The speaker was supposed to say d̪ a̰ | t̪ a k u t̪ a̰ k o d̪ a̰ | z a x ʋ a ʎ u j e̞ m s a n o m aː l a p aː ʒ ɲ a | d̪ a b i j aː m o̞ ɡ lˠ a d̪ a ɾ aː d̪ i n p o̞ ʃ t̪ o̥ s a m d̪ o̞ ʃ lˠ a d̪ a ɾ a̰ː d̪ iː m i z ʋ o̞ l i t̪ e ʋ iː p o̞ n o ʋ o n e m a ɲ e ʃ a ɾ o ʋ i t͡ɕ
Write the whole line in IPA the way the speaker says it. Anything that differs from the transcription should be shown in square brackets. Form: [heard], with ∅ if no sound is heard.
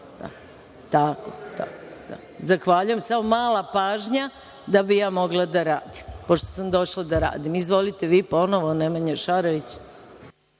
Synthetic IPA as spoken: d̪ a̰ | t̪ a k [o] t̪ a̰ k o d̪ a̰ | z a x ʋ a ʎ u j e̞ m s a [m] o m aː l a p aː ʒ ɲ a | d̪ a b i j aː m o̞ ɡ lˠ a d̪ a ɾ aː d̪ i [m] p o̞ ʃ t̪ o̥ s a m d̪ o̞ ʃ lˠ a d̪ a ɾ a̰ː d̪ [i] m i z ʋ o̞ l i t̪ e ʋ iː p o̞ n o ʋ o n e m a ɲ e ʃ a ɾ o ʋ i t͡ɕ